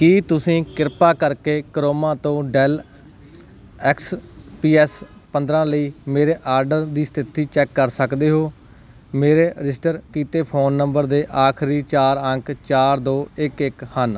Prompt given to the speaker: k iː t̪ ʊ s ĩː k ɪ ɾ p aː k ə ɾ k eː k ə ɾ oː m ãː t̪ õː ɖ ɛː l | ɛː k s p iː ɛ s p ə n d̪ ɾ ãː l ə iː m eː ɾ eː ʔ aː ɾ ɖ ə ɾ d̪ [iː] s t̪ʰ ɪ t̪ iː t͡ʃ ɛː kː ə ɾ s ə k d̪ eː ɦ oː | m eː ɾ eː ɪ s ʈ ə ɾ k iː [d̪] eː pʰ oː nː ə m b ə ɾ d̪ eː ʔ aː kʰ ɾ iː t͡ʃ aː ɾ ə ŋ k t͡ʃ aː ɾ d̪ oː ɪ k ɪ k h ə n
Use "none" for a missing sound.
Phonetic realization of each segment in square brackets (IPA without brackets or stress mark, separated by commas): iː, t̪